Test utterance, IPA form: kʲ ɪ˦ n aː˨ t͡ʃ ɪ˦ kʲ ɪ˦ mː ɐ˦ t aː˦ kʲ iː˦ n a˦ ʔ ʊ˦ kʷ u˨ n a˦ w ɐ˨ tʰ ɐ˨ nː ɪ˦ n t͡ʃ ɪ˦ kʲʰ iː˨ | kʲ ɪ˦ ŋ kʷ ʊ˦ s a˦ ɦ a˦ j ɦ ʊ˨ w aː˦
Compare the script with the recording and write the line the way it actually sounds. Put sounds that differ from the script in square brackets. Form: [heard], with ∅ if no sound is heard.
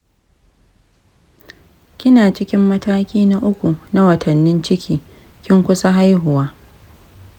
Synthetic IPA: kʲ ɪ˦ n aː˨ t͡ʃ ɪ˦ kʲ ɪ˦ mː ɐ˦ t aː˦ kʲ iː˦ n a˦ ʔ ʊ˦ kʷ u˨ n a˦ w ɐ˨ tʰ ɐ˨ nː ɪ˦ n t͡ʃ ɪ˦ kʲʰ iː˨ | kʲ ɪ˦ ŋ kʷ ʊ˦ s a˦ ɦ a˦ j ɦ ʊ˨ w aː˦